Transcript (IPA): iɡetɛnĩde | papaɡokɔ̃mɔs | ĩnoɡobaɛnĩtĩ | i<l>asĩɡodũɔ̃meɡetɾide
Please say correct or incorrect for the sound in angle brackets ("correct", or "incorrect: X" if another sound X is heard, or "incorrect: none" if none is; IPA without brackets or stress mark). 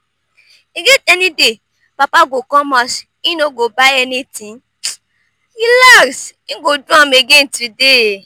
correct